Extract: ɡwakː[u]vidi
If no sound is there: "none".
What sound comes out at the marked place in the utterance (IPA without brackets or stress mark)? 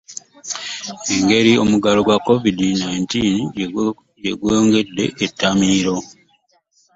o